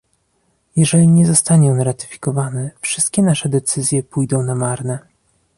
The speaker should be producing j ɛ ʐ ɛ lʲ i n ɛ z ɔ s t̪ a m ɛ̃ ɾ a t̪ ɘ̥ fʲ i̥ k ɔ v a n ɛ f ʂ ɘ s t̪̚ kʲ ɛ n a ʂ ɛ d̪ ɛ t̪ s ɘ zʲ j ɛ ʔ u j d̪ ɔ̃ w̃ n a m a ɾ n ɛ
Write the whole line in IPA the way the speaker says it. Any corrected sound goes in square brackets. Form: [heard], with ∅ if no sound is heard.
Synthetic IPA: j ɛ ʐ ɛ lʲ i [ɲ] ɛ z ɔ s t̪ a [ɲ] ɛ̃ ɾ a t̪ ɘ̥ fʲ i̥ k ɔ v a n ɛ f ʂ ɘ s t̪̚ kʲ ɛ n a ʂ ɛ d̪ ɛ t̪ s ɘ zʲ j ɛ [p] u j d̪ ɔ̃ w̃ n a m a ɾ n ɛ